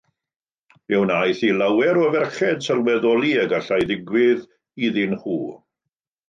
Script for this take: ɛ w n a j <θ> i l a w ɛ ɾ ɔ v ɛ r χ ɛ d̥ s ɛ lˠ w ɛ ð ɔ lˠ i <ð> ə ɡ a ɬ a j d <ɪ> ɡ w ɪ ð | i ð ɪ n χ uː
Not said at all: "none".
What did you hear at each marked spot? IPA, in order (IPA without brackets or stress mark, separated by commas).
θ, none, ɪ